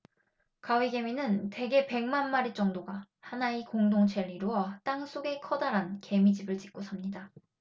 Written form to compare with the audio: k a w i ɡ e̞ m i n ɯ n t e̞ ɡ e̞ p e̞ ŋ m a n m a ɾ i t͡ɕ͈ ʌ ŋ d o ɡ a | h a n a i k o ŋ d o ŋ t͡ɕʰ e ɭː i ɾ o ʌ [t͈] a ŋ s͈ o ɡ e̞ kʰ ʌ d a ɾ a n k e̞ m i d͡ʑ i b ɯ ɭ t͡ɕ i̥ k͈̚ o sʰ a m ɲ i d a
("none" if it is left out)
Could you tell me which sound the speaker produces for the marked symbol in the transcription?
t͈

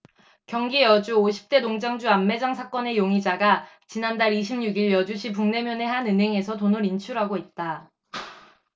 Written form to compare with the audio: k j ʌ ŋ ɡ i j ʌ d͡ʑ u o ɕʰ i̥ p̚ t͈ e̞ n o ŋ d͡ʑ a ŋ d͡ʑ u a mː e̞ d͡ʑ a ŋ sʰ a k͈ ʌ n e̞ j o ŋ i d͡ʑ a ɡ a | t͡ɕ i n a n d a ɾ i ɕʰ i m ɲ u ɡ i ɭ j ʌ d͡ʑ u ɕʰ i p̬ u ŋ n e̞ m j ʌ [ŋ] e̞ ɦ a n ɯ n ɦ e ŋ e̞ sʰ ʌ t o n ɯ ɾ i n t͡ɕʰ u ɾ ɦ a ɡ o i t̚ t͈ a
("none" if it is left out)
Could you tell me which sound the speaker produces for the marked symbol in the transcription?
n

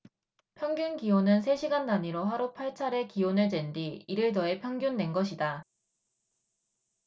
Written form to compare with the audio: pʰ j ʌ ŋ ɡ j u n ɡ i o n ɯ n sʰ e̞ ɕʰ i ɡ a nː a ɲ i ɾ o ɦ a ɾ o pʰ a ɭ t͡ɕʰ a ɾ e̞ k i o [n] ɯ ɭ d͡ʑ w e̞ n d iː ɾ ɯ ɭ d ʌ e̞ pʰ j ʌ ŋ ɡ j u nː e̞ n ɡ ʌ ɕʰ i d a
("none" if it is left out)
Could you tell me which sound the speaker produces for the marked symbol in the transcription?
n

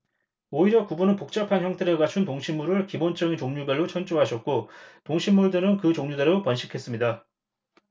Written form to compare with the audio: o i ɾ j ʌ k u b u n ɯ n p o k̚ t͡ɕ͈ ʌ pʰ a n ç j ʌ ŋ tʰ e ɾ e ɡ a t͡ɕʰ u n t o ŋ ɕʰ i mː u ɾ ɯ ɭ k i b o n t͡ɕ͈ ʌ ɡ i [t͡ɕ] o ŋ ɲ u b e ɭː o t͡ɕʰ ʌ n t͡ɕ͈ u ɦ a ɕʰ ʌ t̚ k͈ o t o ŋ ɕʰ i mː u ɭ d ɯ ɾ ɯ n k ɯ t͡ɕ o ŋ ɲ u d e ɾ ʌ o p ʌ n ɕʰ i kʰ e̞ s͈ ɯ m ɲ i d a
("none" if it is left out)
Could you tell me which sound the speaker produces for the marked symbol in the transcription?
t͡ɕ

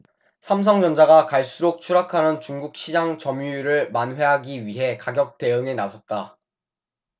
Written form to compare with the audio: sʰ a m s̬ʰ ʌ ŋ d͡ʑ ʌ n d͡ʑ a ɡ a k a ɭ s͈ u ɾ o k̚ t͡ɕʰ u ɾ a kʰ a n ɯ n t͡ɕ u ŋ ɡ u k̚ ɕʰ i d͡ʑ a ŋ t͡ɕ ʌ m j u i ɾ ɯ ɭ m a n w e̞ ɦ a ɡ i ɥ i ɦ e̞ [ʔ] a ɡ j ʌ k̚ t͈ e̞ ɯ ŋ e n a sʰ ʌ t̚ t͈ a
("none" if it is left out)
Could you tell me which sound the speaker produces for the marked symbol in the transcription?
k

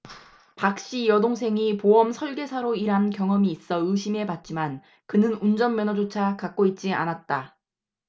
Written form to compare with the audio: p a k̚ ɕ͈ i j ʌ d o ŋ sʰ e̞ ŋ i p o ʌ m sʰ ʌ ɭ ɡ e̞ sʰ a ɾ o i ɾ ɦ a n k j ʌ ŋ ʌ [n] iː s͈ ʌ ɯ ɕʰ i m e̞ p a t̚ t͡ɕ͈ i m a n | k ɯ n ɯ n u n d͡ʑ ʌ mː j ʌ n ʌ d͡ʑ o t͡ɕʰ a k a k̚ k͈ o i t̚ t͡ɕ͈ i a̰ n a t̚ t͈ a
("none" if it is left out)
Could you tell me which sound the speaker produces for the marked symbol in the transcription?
m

